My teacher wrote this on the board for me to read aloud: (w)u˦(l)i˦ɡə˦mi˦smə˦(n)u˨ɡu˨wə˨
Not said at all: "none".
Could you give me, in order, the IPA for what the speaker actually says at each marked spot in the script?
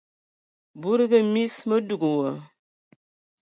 b, ɾ, d

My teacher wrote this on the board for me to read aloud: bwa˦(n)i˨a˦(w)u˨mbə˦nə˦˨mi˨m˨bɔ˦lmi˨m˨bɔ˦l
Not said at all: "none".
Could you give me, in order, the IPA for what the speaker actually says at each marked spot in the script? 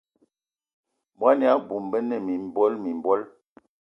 n, b

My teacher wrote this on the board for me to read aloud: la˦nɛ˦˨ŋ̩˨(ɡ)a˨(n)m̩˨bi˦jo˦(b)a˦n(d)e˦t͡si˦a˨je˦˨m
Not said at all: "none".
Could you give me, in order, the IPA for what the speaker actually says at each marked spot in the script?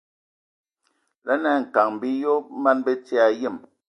k, ŋ, m, b

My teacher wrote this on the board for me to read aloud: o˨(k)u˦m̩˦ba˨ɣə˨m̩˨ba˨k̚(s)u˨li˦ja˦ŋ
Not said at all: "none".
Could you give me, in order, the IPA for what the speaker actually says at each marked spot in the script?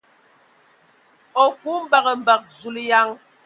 k, z

